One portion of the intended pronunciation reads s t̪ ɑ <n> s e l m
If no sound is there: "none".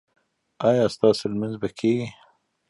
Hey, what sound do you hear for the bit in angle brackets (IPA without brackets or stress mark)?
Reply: none